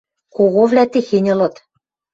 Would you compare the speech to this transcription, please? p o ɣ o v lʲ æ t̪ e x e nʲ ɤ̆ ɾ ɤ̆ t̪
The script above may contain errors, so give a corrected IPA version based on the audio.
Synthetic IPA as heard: k o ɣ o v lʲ æ t̪ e x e nʲ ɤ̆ l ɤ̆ t̪